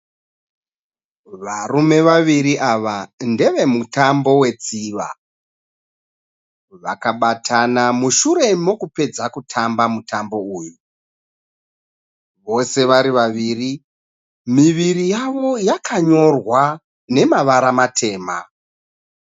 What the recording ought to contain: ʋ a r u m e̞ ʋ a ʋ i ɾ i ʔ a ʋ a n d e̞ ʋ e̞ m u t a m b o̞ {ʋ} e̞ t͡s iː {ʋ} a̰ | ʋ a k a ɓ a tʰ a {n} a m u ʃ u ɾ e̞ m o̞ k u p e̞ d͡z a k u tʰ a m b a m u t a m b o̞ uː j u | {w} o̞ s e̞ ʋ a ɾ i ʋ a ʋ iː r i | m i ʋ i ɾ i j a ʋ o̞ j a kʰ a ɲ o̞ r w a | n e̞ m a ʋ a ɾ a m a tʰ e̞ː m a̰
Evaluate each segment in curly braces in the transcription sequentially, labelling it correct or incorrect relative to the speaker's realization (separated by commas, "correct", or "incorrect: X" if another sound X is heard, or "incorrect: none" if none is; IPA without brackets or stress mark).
incorrect: w, correct, correct, incorrect: ʋ